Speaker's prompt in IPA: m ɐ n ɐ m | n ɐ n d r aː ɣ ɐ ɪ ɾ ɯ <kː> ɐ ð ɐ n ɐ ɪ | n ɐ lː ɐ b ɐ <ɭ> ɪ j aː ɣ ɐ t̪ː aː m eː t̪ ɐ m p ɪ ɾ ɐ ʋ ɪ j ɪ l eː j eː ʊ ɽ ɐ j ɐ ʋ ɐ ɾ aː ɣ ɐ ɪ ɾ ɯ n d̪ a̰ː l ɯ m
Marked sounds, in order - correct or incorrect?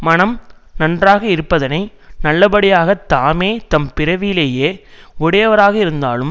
incorrect, incorrect

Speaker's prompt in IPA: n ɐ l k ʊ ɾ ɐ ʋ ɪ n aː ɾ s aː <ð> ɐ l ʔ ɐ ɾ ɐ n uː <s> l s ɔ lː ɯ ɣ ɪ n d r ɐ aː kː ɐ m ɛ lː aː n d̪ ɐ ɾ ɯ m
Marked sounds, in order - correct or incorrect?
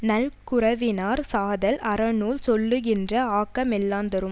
correct, incorrect

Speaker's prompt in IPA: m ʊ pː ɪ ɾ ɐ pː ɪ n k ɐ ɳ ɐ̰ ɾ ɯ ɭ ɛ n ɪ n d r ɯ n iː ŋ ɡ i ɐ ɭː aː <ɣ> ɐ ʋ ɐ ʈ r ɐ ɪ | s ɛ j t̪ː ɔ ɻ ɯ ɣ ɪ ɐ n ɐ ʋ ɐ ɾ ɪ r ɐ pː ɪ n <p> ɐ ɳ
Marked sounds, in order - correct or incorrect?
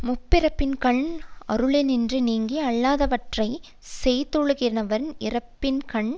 incorrect, incorrect

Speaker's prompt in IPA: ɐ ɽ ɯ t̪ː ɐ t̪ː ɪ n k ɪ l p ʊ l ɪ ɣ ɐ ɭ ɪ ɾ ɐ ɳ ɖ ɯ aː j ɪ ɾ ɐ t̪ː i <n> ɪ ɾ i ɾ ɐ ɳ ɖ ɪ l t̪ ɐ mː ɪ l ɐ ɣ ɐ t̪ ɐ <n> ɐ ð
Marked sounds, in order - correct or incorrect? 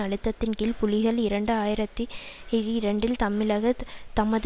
incorrect, incorrect

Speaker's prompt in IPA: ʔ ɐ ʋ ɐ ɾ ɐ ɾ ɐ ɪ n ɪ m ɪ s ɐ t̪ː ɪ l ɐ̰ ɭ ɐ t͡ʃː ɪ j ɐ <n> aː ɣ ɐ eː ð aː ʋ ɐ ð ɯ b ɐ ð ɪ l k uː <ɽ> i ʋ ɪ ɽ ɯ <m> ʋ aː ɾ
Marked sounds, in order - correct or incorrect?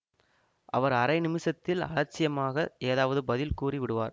incorrect, incorrect, incorrect

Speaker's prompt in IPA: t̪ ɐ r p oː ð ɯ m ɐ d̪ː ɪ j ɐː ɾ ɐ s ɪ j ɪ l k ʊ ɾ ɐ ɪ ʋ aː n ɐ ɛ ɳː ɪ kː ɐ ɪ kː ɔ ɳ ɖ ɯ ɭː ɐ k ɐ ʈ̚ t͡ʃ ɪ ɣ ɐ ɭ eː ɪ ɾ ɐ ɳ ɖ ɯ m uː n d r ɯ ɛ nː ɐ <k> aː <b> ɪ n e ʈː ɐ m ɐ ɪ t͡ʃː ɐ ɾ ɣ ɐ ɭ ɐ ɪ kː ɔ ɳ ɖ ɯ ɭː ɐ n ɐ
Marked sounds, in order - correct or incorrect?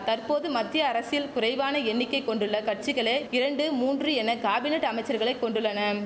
correct, correct

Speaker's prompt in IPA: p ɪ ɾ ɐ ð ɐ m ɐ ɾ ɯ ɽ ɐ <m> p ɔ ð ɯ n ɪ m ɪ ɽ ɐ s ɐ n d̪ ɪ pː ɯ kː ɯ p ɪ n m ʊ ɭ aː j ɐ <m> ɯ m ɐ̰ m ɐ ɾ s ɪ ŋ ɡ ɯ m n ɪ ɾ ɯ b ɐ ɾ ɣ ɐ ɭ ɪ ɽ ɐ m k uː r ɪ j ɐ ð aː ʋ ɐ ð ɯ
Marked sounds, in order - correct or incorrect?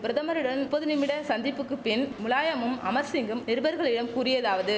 incorrect, correct

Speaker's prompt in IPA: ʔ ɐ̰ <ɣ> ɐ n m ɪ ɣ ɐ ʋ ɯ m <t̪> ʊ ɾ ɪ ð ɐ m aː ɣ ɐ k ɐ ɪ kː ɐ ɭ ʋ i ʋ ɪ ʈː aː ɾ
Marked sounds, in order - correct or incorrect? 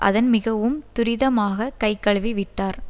incorrect, correct

